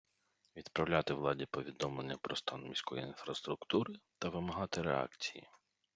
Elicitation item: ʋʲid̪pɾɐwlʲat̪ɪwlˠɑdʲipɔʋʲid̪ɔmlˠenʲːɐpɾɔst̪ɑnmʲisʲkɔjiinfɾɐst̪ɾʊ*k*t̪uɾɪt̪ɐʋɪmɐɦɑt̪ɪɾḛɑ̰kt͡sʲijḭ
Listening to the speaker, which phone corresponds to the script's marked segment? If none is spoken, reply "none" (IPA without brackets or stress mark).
k